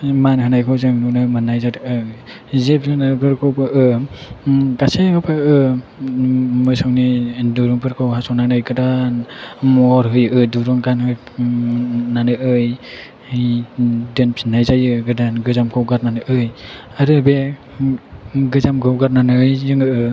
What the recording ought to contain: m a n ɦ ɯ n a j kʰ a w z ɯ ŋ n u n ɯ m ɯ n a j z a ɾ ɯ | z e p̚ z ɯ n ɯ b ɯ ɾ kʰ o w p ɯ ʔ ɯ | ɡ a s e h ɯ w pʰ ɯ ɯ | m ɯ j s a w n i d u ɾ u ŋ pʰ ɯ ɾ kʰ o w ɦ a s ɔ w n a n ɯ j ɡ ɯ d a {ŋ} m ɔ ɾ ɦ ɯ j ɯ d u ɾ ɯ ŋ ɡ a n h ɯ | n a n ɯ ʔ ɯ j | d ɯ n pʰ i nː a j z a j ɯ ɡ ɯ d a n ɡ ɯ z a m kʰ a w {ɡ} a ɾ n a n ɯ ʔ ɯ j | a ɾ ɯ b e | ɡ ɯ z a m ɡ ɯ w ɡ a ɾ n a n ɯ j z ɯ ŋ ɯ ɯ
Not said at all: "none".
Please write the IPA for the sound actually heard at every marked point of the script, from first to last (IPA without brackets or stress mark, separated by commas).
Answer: n, ɡ